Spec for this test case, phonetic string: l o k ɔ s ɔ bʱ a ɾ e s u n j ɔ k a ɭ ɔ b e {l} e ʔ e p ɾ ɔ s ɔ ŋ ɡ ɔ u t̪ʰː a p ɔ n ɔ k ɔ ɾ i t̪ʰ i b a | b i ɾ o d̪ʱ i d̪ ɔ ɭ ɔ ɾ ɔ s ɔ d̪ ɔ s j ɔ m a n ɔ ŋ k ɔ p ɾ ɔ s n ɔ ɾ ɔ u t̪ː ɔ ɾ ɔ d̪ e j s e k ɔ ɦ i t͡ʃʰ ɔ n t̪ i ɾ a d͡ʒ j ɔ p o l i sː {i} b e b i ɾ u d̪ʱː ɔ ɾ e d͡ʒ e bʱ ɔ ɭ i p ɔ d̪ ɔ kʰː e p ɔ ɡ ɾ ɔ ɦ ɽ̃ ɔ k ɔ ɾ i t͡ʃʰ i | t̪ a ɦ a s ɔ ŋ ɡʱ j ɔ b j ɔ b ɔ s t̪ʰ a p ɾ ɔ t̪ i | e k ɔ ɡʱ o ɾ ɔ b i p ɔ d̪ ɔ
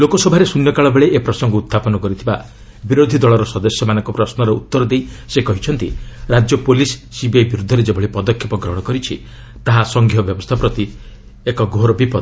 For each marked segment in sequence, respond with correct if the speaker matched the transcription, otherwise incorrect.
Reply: incorrect, correct

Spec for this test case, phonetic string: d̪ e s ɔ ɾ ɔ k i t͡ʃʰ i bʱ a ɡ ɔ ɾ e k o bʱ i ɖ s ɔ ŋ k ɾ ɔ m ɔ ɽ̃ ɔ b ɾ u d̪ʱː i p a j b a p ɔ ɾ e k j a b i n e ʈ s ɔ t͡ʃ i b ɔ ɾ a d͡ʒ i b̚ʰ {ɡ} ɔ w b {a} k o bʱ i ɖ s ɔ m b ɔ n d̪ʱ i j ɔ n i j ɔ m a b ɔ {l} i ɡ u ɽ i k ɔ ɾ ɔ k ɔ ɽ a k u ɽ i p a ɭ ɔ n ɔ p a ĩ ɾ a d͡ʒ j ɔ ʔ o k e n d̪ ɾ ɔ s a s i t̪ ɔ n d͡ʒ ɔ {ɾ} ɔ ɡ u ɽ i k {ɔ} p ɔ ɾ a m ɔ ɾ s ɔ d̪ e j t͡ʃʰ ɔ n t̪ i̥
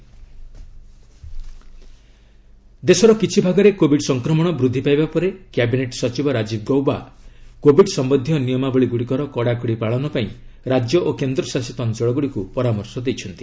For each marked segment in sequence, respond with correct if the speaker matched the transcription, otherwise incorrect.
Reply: correct, correct, incorrect, incorrect, incorrect

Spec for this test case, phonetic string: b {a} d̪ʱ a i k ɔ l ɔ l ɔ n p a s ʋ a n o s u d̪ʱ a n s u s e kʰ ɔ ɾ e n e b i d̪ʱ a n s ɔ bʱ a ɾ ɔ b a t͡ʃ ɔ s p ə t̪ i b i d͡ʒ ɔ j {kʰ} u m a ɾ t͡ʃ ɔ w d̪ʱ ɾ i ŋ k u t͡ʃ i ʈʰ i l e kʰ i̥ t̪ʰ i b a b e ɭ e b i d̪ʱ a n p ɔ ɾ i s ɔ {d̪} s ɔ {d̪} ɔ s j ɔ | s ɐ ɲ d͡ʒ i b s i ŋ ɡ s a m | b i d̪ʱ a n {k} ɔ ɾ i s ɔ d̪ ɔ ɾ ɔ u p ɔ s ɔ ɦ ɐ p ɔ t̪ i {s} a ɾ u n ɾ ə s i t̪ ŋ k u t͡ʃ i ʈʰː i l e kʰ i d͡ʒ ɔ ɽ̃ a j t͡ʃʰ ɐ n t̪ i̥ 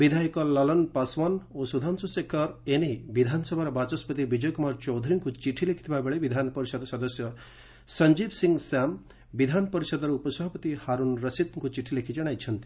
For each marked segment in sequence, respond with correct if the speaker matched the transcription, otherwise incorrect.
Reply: incorrect, incorrect, correct, correct, incorrect, incorrect

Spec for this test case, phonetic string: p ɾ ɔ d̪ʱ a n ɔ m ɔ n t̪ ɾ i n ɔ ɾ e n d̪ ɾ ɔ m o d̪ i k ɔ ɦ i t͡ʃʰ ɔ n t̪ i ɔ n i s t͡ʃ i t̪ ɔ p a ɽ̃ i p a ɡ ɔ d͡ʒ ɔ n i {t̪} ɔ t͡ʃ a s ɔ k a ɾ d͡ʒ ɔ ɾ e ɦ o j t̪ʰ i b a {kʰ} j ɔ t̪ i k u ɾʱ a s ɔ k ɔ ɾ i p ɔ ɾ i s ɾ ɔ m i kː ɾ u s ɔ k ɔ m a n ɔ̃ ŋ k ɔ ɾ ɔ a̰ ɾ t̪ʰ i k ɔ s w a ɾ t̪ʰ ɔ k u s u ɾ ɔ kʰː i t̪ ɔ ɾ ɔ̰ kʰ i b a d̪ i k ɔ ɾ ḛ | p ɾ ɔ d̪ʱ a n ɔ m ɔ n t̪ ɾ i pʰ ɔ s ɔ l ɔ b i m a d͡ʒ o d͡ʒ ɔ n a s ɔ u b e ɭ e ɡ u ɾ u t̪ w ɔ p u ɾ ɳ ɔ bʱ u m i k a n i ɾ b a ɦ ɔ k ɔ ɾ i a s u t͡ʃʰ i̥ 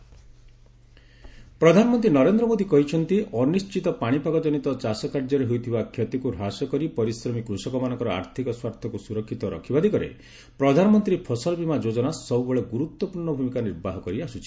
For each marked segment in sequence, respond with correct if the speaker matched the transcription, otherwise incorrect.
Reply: correct, correct

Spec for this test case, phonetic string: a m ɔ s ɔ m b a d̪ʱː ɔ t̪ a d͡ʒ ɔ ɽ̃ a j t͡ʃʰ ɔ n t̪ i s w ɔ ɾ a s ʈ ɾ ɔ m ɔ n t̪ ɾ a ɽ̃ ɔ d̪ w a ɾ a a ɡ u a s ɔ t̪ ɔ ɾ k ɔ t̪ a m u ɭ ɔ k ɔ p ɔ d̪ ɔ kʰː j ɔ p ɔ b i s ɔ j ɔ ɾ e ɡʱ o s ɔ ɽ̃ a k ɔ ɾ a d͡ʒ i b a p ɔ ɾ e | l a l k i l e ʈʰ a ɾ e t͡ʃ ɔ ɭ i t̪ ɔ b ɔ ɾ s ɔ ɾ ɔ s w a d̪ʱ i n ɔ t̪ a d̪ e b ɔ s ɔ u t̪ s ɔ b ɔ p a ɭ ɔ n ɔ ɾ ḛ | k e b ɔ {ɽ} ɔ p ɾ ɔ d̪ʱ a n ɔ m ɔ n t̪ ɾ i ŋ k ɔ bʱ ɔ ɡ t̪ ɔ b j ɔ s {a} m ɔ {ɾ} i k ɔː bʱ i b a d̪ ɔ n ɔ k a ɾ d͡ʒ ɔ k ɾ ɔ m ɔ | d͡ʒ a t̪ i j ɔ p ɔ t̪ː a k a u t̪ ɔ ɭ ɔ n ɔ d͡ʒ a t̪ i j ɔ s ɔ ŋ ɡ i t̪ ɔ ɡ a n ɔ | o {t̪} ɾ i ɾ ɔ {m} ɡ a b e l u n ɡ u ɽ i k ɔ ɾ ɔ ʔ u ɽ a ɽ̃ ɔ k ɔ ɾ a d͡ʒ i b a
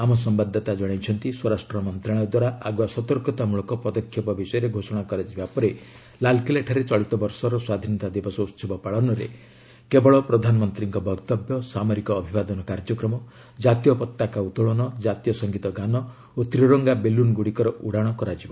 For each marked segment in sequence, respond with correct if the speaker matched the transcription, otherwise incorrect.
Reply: incorrect, correct, correct, correct, incorrect

